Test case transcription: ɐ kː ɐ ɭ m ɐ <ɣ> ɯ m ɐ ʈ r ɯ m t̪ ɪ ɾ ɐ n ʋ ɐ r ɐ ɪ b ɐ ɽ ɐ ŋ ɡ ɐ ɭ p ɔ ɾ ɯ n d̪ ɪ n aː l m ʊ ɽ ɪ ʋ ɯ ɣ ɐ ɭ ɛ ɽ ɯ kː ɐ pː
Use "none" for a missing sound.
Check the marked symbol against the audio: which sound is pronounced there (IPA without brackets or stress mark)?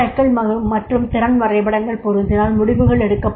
ɣ